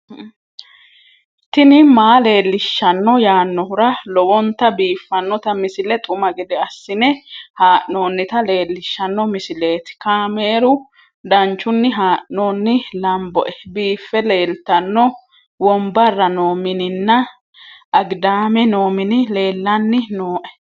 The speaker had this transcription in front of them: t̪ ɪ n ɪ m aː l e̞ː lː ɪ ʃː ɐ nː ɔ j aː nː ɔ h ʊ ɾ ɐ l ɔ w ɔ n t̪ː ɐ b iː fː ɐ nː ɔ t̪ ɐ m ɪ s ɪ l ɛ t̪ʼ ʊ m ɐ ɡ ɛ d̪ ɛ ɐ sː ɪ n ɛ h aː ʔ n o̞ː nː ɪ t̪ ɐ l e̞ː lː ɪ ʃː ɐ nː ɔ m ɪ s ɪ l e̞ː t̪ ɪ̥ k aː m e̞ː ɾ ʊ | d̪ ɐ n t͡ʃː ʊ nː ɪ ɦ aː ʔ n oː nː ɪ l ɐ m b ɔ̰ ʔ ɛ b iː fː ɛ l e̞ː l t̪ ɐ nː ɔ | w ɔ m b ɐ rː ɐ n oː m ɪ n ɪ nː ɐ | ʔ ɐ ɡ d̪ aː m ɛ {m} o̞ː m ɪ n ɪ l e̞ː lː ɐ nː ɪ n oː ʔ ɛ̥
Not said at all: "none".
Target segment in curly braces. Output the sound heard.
n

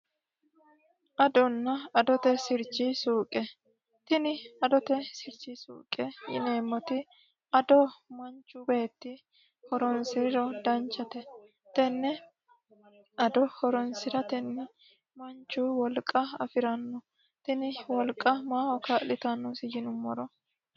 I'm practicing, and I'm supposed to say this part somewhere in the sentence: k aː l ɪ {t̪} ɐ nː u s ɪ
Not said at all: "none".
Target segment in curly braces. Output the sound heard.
t̪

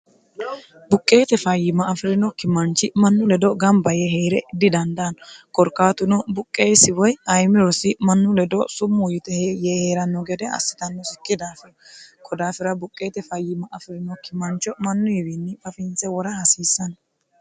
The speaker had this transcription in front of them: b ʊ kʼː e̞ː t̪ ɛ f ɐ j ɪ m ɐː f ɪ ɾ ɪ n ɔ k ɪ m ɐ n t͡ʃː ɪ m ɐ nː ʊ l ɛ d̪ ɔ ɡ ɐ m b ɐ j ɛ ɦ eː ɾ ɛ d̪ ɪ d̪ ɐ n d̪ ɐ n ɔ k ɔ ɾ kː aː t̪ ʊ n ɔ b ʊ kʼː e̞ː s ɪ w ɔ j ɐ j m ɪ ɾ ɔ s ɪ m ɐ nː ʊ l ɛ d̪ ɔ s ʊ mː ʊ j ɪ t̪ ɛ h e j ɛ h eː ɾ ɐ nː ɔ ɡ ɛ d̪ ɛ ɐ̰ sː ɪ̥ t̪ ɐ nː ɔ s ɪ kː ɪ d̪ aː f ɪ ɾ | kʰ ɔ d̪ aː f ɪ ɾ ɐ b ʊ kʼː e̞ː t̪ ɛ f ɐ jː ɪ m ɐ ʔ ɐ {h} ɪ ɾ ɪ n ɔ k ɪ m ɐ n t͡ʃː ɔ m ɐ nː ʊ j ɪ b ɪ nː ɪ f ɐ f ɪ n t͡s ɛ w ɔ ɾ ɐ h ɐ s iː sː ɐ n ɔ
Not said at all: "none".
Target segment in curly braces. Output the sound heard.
f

